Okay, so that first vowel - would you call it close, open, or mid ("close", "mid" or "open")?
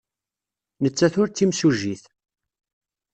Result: mid